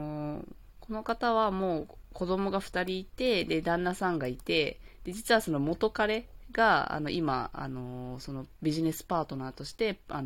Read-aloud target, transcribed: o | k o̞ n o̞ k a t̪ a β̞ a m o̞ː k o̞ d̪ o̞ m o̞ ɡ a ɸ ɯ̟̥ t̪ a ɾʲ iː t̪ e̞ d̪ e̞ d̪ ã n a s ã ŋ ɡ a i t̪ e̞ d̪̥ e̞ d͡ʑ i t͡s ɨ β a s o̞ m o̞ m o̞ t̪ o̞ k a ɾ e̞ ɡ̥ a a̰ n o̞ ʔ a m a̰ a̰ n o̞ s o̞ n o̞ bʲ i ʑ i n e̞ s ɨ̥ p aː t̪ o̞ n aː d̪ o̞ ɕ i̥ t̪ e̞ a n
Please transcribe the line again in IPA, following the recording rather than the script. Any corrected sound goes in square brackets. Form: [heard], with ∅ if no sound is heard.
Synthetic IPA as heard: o | k o̞ n o̞ k a t̪ a β̞ a m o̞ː k o̞ d̪ o̞ m o̞ ɡ a ɸ ɯ̟̥ t̪ a ɾʲ iː t̪ e̞ d̪ e̞ d̪ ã [nː] a s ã ŋ ɡ a i t̪ e̞ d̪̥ e̞ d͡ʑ i t͡s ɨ β a s o̞ [n] o̞ m o̞ t̪ o̞ k a ɾ e̞ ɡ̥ a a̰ n o̞ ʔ [i] m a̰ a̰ n o̞ s o̞ n o̞ bʲ i ʑ i n e̞ s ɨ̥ p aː t̪ o̞ n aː [t̪] o̞ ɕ i̥ t̪ e̞ a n